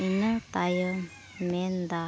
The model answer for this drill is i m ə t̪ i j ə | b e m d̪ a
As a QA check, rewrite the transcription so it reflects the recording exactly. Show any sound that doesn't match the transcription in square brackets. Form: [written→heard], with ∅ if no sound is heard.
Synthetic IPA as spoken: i [m→n] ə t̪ [i→a] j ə | [b→m] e [m→n] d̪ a